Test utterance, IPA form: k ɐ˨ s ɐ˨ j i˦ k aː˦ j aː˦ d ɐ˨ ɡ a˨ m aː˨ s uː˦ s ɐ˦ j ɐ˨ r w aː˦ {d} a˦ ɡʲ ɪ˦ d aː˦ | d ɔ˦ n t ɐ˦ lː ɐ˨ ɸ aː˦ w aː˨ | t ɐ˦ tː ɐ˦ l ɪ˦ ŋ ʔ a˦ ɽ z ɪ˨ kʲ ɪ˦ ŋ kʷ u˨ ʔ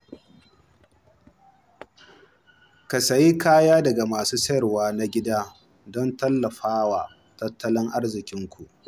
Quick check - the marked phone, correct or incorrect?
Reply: incorrect